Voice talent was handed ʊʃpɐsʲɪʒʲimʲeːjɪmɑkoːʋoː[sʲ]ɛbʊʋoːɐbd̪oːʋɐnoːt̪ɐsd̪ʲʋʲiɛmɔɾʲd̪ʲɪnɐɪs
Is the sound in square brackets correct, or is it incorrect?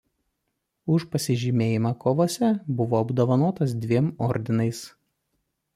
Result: correct